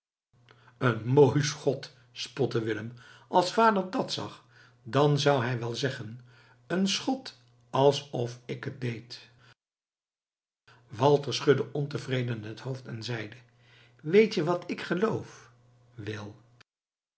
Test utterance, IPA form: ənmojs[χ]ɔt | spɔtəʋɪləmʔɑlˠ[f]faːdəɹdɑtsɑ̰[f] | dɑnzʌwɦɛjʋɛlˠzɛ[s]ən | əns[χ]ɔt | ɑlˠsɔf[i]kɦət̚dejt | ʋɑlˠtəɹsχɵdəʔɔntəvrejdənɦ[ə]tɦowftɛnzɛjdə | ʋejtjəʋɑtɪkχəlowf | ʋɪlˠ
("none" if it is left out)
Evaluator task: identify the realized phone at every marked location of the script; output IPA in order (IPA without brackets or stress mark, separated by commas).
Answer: χ, s, χ, χ, χ, ɪ, ə